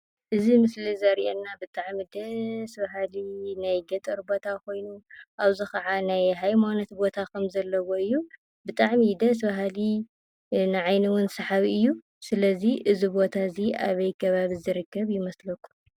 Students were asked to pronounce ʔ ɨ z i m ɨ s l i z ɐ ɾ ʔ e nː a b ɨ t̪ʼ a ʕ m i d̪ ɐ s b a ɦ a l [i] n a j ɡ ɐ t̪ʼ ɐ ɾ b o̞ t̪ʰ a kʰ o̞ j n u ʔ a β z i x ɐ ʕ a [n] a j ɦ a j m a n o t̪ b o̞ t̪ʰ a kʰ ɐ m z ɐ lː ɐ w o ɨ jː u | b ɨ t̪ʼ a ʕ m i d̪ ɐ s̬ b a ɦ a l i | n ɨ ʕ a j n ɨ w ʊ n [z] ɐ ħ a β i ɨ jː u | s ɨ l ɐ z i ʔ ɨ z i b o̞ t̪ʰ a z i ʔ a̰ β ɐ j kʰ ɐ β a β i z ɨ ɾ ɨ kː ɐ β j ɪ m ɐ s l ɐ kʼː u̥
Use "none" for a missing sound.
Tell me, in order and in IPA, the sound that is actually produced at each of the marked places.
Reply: i, n, s

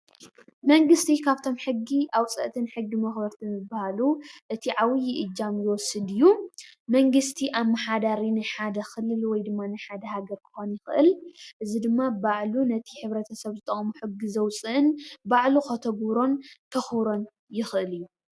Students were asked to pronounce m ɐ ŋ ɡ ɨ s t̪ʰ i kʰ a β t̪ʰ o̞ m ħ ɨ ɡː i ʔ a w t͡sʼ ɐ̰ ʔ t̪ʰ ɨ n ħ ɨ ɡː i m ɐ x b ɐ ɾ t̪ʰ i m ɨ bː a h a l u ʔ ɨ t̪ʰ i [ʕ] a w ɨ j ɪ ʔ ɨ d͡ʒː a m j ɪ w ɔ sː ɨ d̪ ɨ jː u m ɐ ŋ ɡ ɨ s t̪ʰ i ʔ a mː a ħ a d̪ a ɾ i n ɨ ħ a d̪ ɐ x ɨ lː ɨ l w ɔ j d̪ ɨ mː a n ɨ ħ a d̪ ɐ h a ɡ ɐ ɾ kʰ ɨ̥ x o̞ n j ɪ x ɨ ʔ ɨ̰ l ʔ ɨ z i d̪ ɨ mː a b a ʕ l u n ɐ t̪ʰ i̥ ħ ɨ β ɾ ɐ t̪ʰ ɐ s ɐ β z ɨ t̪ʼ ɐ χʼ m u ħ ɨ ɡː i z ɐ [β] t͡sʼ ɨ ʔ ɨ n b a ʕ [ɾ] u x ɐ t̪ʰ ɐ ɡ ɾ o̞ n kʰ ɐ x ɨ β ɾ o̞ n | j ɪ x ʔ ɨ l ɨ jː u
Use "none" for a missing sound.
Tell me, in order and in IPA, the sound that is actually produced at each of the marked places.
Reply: ʕ, w, l

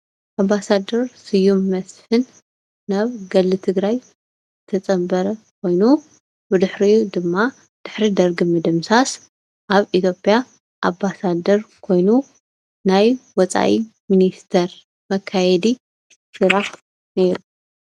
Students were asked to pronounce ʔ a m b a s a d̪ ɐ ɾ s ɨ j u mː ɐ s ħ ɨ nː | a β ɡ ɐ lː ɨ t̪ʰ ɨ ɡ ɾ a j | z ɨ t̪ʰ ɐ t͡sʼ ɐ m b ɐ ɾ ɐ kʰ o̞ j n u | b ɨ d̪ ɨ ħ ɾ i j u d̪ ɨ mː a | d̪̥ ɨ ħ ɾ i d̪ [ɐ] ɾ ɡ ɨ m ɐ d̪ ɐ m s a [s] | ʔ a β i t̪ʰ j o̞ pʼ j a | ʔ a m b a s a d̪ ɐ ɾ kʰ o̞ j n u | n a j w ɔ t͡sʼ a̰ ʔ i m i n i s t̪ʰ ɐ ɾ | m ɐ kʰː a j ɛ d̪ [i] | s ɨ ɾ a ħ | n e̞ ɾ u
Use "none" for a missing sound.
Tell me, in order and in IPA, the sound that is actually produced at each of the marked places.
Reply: ɐ, s, i

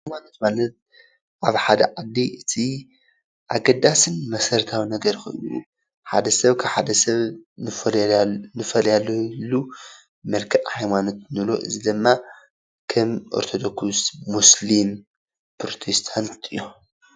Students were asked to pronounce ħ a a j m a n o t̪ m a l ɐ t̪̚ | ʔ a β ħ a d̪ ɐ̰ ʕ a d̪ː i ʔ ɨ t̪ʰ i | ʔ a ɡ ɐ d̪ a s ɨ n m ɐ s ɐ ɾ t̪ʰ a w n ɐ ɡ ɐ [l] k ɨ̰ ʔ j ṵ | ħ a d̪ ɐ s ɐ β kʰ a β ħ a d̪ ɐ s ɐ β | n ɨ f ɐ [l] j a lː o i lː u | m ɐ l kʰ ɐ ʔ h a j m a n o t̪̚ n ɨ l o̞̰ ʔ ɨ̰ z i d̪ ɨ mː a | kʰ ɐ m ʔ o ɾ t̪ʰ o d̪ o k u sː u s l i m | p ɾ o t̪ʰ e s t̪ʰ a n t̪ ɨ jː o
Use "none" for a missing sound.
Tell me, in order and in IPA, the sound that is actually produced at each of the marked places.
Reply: ɾ, l

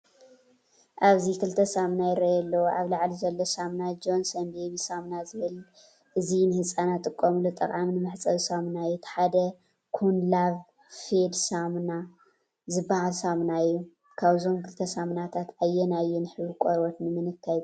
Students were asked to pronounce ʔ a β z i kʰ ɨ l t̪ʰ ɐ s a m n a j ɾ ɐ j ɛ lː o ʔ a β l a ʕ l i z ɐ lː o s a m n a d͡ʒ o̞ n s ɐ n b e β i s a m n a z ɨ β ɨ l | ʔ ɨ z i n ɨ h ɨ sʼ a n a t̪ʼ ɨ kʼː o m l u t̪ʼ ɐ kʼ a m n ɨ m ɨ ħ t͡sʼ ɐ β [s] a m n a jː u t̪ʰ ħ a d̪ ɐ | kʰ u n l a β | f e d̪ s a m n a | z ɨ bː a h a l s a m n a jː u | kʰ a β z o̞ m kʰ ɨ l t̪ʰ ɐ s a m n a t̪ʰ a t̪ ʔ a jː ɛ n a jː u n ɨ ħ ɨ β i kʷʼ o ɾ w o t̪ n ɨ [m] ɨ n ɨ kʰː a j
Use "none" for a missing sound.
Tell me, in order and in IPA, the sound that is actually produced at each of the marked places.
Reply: s, m

